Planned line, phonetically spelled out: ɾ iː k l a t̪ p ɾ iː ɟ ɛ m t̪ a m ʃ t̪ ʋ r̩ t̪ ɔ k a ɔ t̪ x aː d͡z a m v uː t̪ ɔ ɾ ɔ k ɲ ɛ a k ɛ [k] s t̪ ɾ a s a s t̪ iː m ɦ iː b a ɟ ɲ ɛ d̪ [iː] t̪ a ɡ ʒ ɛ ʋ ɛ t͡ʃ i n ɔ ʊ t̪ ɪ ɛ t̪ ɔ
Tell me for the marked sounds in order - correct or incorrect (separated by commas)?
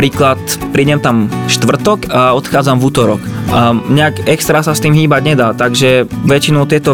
correct, incorrect